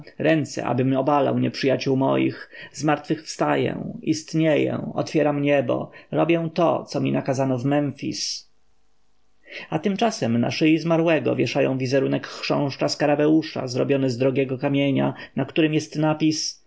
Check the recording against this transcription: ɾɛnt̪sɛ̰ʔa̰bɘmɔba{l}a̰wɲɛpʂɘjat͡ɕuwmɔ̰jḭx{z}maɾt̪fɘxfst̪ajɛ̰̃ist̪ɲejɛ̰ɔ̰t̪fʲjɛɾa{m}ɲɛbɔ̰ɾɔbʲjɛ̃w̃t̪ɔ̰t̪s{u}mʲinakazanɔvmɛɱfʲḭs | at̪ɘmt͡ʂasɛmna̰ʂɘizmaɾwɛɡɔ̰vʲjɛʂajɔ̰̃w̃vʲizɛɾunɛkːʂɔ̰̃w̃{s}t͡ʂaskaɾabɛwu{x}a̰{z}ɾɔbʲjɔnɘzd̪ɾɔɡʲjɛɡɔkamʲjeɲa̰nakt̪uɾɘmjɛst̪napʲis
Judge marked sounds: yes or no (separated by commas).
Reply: yes, yes, yes, no, no, no, yes